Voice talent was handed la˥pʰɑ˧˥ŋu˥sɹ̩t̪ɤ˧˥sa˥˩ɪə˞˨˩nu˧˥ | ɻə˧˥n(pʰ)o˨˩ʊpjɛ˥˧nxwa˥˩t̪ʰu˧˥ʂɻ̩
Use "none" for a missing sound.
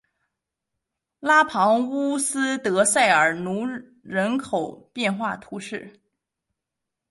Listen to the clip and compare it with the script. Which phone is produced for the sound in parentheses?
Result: kʰ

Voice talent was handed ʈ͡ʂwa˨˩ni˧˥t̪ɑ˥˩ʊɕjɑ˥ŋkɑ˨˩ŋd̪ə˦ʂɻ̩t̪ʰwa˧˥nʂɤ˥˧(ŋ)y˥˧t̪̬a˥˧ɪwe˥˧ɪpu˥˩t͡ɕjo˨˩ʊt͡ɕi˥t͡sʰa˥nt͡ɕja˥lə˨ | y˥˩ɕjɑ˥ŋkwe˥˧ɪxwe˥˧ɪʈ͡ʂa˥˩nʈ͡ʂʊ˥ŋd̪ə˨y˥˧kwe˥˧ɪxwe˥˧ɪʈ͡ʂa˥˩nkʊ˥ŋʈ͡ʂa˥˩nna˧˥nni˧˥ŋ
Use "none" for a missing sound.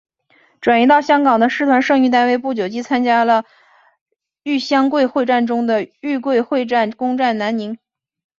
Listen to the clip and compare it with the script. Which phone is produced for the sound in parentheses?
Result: ŋ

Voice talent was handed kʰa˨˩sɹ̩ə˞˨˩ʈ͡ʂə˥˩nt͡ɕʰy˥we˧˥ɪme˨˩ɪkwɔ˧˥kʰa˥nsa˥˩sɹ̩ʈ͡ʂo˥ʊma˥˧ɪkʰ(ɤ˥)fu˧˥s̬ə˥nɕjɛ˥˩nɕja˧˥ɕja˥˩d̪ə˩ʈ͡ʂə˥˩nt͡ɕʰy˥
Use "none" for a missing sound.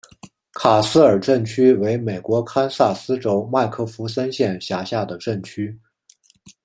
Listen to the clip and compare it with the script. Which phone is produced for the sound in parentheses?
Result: ɤ˥˩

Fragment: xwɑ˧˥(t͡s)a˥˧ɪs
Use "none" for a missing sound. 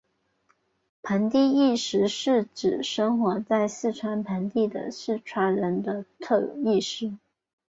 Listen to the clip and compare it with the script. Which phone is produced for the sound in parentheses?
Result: t͡s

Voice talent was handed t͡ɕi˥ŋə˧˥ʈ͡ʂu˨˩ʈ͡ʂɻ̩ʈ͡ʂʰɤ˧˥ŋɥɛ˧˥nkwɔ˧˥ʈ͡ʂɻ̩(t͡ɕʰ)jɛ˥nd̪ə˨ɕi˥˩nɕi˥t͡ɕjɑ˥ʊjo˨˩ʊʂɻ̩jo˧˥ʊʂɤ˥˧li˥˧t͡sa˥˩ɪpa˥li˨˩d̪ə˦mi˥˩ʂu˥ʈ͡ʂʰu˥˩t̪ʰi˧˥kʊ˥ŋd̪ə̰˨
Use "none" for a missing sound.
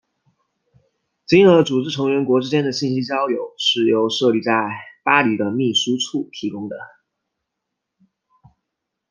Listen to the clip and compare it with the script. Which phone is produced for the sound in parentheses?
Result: t͡ɕ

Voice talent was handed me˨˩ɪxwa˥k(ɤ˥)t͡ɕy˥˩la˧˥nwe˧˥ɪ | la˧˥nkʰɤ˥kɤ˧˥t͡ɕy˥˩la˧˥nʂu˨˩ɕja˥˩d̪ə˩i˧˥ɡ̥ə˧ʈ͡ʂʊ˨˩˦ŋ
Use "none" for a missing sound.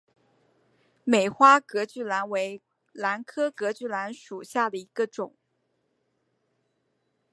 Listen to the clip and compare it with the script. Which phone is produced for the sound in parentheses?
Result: ɤ˧˥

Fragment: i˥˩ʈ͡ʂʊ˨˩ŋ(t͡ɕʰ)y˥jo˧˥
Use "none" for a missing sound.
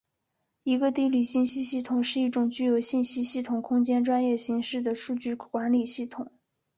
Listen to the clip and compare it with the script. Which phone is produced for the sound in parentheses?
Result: t͡ɕ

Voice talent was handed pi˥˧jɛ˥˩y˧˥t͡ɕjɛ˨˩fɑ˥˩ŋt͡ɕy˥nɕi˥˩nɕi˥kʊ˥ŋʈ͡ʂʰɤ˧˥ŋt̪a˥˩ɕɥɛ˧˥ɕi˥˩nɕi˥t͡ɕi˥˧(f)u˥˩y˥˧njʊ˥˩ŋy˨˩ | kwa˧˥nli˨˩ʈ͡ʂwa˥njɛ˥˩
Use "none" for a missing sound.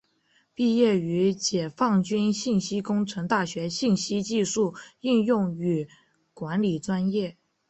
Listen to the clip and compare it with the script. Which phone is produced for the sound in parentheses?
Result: ʂ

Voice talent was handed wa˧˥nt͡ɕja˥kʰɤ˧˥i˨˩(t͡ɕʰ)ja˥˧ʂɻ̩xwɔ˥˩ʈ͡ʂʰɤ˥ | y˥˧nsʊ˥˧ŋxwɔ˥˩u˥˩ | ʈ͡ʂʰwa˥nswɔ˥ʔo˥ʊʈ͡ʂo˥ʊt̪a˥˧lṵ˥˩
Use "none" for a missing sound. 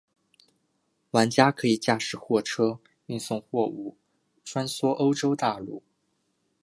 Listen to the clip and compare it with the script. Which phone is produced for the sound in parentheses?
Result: t͡ɕ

